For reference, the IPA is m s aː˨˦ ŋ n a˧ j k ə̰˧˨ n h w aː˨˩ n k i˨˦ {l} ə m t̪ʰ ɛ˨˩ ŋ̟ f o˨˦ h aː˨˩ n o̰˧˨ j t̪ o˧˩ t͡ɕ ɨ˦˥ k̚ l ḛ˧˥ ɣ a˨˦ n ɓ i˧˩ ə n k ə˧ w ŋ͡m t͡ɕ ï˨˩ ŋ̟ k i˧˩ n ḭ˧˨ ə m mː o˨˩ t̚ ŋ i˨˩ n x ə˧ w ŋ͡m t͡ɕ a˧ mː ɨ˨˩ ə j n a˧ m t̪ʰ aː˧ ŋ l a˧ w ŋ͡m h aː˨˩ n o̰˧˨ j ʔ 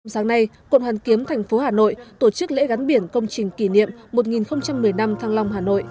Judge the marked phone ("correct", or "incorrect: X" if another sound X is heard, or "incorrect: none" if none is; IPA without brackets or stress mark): incorrect: none